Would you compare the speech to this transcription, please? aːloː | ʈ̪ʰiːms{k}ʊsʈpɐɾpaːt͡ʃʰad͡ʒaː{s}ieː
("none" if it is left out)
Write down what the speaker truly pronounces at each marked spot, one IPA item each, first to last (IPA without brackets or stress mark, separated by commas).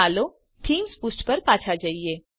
p, none